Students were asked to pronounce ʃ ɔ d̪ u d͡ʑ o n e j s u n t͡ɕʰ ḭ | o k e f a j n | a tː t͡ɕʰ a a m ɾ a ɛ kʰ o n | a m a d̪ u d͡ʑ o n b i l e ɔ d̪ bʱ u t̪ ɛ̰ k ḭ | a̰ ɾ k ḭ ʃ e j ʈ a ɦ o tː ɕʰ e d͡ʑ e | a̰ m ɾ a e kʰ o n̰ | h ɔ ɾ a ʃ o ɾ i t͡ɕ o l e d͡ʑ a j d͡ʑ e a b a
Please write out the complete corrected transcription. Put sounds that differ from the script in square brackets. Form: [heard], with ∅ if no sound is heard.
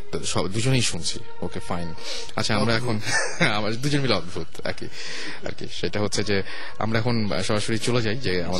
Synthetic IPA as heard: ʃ ɔ d̪ u d͡ʑ o n e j [ʃ] u n t͡ɕʰ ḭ | o k e f a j n | a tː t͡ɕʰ a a m ɾ a ɛ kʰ o n | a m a d̪ u d͡ʑ o n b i l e ɔ d̪ bʱ u t̪ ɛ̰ k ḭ | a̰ ɾ k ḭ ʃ e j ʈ a ɦ o tː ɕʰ e d͡ʑ e | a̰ m ɾ a [ɛ] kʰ o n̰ | [ʃ] ɔ ɾ a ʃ o ɾ i t͡ɕ o l e d͡ʑ a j d͡ʑ e a [m] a